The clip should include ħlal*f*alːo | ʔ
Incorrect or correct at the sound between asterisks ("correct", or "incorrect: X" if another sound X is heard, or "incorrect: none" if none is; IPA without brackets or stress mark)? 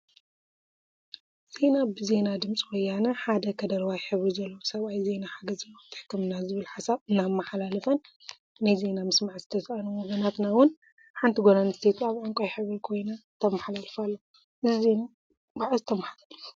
correct